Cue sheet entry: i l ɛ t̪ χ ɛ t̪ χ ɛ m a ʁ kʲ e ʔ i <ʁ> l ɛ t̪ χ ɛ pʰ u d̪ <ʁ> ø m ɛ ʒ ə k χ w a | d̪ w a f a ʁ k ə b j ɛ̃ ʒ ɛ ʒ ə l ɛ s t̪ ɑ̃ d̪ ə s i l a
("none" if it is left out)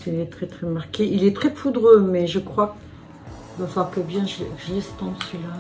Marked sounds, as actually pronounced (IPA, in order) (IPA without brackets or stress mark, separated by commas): none, ʁ